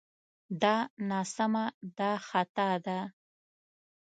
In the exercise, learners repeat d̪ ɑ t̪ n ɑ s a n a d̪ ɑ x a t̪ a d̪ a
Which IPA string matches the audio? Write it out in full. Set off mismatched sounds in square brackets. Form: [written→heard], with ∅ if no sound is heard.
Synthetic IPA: d̪ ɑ [t̪→∅] n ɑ s a [n→m] a d̪ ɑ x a t̪ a d̪ a

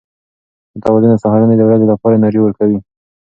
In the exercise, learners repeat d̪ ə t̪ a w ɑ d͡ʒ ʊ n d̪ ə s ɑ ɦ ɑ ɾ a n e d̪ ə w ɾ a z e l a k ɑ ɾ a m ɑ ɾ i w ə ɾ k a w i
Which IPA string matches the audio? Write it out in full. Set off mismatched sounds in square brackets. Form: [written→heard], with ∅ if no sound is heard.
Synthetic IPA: d̪ ə t̪ a w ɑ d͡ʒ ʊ n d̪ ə s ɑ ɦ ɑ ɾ a n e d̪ ə w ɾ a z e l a [k→p] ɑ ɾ a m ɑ ɾ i w ə ɾ k a w i

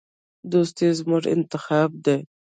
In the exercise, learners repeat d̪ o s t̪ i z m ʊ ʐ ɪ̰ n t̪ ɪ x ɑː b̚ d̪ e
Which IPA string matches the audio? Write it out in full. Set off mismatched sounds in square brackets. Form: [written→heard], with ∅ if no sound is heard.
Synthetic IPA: d̪ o s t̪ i z m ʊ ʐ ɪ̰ n t̪ ɪ x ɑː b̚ d̪ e

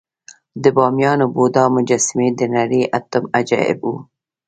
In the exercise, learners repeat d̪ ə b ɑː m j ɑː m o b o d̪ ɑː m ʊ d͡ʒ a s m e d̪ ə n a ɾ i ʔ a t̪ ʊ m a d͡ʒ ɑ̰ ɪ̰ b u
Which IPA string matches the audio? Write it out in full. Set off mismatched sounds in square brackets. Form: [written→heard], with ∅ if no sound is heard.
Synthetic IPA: d̪ ə b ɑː m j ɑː [m→n] o b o d̪ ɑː m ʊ d͡ʒ a s m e d̪ ə n a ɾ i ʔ a t̪ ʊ m a d͡ʒ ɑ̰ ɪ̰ b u

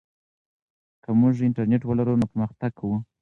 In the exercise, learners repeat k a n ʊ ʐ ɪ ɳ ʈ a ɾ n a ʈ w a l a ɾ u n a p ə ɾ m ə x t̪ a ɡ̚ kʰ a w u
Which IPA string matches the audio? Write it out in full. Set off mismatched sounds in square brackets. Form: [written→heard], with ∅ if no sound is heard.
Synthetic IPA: k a [n→m] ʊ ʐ ɪ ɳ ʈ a ɾ n [a→e] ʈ w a l a ɾ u n a p ə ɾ m ə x t̪ a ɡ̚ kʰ a w u

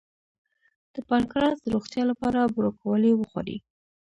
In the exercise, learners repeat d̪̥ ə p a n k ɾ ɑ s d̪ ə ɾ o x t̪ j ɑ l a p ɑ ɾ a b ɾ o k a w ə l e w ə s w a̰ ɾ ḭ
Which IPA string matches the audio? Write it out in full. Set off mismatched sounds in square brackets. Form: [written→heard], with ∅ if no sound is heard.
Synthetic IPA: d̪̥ ə p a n k ɾ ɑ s d̪ ə ɾ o x t̪ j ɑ l a p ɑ ɾ a b ɾ o k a w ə l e w ə [s→x] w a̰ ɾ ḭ

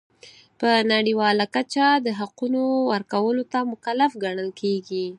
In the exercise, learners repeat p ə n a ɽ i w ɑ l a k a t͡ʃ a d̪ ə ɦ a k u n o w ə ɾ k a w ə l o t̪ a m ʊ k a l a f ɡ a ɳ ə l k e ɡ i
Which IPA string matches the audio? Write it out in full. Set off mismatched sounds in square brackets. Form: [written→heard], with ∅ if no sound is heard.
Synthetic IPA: p ə n a ɽ i w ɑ l a k a t͡ʃ a d̪ ə ɦ a [k→q] u n o w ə ɾ k a w ə l o t̪ a m ʊ k a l a f ɡ a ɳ ə l k e ɡ i

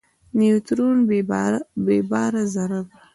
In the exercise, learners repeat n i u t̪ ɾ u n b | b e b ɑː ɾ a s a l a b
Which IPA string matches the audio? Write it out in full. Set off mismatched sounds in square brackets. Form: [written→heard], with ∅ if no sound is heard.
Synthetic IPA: n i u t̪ ɾ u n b | b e b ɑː ɾ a [s→z] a [l→ɾ] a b

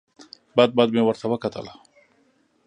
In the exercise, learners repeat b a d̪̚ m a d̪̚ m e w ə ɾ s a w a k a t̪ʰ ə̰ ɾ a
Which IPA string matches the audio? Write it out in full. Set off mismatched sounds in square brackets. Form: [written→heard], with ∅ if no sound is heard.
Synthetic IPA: b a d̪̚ [m→b] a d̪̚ m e w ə ɾ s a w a k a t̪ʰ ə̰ [ɾ→l] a

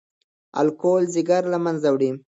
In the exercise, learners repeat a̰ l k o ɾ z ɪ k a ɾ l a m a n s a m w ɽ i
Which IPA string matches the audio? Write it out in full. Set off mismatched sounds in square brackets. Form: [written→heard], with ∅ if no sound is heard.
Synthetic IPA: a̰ l k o [ɾ→l] z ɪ [k→ɡ] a ɾ l a m a n [s→z] a [m→∅] w ɽ i

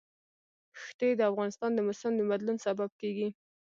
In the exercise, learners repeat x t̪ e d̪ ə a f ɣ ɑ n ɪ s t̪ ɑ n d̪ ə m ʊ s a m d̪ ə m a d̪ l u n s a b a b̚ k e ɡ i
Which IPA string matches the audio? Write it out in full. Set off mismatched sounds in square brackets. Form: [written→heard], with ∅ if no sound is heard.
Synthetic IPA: x t̪ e d̪ ə a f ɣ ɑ n ɪ s t̪ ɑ n d̪ ə m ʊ s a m d̪ ə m a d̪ l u n s a b a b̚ k e ɡ i

